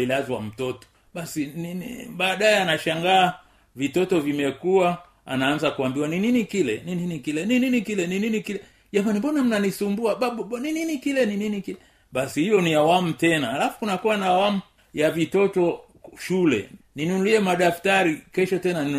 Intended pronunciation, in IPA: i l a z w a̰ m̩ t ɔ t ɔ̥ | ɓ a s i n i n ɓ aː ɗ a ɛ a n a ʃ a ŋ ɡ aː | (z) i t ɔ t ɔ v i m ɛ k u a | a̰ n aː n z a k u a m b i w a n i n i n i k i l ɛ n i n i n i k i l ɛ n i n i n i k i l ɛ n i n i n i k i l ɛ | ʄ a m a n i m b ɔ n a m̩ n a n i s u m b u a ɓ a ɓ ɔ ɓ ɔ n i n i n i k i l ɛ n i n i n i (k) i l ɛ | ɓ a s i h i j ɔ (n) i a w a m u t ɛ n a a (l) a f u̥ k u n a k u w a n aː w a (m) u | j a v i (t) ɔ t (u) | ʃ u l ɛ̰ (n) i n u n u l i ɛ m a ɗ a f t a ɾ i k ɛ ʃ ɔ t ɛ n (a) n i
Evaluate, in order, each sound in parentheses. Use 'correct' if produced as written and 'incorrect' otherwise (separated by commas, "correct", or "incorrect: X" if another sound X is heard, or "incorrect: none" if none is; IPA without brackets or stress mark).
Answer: incorrect: v, correct, correct, correct, correct, correct, incorrect: ɔ, correct, correct